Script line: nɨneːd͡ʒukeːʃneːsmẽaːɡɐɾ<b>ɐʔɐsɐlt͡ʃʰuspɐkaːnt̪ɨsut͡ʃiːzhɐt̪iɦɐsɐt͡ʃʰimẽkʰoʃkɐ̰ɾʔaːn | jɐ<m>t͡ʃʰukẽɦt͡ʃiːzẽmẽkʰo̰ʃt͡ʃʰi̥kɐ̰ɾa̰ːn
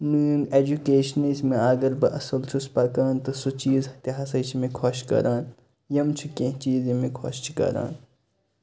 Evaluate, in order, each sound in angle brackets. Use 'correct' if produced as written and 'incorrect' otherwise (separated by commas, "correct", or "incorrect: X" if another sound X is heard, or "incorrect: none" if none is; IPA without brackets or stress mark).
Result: correct, correct